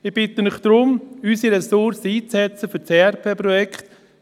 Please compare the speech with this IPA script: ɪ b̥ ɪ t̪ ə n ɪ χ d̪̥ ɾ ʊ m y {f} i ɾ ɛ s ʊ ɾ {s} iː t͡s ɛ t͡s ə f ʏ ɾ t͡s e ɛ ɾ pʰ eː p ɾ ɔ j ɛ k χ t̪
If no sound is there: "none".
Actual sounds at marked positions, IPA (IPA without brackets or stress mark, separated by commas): s, s